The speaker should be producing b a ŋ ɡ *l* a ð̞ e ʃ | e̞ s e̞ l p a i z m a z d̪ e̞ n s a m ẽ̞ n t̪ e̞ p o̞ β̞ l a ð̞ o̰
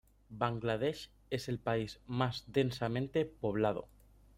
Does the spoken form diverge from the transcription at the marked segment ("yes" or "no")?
no